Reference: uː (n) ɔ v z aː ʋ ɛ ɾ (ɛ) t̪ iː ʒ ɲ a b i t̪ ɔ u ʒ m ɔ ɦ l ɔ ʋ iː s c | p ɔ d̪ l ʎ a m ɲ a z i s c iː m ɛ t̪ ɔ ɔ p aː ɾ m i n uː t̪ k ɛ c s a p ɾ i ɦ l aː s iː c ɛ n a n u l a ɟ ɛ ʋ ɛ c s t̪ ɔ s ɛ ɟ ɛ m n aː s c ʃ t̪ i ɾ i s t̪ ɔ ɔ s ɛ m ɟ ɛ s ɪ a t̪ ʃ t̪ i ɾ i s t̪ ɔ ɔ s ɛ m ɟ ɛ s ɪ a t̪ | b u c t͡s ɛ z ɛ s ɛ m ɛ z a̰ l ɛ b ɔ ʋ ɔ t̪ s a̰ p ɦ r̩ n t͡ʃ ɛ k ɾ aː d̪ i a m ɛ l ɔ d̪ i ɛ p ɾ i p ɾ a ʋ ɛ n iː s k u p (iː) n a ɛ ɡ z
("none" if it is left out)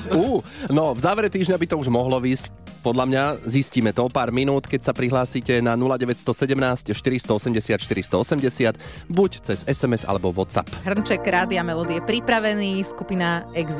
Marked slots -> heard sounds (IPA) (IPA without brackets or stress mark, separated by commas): n, ɛ, i